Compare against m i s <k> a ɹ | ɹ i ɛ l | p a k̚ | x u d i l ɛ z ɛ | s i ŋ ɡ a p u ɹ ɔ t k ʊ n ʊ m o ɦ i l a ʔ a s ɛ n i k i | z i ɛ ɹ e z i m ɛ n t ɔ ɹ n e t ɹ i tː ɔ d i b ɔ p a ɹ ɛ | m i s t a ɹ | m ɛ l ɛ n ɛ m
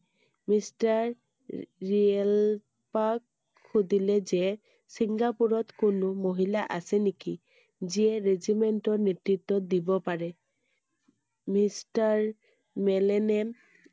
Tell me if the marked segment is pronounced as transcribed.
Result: no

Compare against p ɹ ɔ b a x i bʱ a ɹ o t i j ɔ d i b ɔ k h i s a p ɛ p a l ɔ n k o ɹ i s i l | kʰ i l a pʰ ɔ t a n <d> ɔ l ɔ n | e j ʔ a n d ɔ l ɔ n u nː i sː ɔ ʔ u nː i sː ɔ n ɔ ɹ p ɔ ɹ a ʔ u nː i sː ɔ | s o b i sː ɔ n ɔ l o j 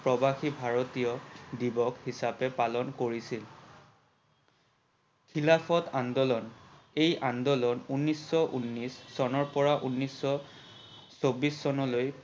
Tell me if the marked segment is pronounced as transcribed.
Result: yes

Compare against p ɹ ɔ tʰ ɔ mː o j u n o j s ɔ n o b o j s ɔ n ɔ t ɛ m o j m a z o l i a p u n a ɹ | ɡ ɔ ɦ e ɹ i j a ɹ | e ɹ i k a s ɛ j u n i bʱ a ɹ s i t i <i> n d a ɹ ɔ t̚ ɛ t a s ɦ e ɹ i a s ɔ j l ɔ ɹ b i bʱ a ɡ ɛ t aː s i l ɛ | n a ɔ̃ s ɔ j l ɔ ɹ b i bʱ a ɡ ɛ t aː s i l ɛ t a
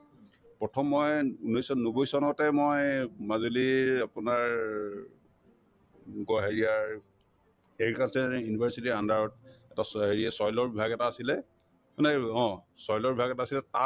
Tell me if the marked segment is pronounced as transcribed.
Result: no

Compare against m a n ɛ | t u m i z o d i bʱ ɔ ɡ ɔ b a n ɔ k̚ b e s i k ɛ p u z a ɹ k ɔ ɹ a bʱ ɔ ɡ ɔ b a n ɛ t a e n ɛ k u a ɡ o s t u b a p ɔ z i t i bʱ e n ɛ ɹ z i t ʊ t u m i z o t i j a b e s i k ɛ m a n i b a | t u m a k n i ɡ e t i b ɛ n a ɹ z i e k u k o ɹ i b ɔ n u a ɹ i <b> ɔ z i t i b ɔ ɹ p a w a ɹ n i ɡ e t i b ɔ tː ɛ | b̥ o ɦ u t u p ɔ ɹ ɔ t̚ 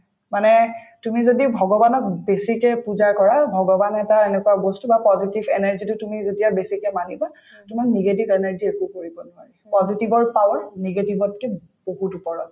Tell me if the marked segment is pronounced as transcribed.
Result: no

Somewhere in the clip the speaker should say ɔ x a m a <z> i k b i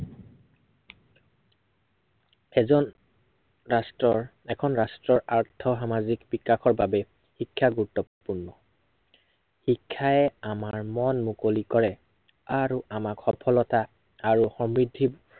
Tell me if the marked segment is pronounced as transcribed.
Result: yes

